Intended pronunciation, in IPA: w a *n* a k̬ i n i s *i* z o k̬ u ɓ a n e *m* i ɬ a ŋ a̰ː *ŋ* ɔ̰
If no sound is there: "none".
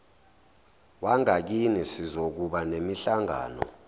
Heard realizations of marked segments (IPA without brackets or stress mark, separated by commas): ŋ, i, m, n